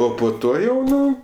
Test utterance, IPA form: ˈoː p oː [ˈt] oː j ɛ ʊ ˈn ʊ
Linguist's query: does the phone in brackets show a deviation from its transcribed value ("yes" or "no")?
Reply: no